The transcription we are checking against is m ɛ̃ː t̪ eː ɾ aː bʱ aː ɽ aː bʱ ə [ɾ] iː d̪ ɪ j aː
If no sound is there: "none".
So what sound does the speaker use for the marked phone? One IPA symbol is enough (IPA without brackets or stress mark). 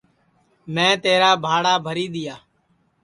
ɾ